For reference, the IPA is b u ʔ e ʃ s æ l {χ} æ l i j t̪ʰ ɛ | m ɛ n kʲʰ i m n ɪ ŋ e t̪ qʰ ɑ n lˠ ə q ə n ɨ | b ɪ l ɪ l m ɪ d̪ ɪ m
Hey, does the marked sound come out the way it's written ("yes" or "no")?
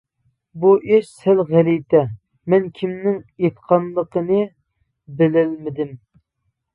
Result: no